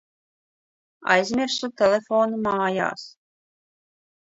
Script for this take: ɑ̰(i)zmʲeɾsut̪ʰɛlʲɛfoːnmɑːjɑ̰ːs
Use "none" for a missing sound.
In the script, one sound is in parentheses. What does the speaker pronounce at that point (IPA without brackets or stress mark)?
j